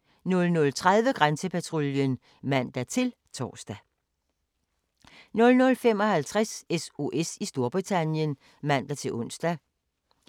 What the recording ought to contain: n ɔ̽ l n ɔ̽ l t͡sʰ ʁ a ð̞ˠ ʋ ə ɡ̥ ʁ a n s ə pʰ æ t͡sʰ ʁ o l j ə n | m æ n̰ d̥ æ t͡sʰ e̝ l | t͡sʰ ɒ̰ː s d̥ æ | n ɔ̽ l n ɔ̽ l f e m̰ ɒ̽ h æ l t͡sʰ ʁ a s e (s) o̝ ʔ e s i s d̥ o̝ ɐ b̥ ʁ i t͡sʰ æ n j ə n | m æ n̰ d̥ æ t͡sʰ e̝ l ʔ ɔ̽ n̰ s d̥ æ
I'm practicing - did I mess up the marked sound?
no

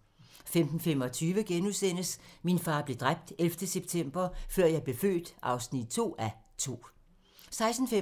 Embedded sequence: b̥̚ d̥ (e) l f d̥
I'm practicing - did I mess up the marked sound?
no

